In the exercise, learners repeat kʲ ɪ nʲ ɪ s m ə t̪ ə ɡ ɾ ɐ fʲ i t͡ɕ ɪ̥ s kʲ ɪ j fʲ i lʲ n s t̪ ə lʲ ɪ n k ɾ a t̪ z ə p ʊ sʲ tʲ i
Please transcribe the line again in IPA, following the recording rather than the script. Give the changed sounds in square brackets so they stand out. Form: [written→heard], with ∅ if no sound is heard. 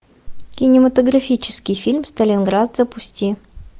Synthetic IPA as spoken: kʲ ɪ nʲ ɪ [s→∅] m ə t̪ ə ɡ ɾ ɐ fʲ i t͡ɕ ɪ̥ s kʲ ɪ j fʲ i lʲ [n→m] s t̪ ə lʲ ɪ n [k→ɡ] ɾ a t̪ z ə p ʊ sʲ tʲ i

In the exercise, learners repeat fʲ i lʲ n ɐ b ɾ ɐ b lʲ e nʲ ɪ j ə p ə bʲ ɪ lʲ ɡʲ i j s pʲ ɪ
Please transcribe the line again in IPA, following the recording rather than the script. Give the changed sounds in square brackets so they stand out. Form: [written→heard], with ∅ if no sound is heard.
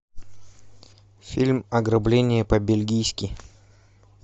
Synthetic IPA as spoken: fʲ i lʲ [n→m] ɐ [b→ɡ] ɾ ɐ b lʲ e nʲ ɪ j ə p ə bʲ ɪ lʲ ɡʲ i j s [pʲ→kʲ] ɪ

